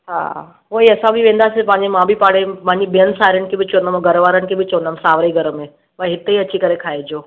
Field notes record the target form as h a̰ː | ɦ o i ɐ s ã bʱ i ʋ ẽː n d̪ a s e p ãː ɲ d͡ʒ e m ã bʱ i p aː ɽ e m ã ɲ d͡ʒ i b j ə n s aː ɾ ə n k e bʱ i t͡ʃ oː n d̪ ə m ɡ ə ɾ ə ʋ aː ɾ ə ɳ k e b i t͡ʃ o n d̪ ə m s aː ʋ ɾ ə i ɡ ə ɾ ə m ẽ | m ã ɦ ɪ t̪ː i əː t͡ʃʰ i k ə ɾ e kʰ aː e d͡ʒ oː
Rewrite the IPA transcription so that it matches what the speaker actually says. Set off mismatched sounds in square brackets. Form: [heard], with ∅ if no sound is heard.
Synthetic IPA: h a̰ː | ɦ o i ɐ s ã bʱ i ʋ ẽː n d̪ a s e p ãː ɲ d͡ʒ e m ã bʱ i p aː ɽ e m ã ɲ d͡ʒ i b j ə n s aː ɾ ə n k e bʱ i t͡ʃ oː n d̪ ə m ɡ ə ɾ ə ʋ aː ɾ ə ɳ k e b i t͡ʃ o n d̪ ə m s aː ʋ ɾ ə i ɡ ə ɾ ə m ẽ | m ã ɦ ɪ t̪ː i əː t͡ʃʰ i k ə ɾ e kʰ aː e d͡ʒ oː